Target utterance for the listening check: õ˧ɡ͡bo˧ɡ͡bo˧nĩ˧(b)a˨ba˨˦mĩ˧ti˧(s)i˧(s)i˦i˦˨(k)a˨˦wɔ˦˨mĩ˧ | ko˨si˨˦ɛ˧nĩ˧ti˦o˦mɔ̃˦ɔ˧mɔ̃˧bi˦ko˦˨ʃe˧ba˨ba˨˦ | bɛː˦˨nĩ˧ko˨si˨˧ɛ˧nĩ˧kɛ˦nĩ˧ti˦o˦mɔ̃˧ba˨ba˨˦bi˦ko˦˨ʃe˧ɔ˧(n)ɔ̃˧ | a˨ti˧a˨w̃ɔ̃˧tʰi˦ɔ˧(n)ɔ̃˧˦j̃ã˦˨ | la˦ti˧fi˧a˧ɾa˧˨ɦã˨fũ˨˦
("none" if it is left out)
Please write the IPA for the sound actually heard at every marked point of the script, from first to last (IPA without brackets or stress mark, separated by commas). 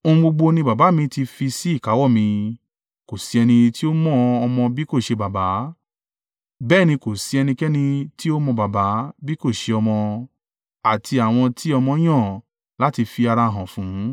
b, f, s, k, m, m